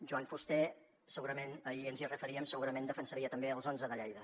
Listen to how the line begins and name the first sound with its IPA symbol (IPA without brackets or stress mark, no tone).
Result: ʒ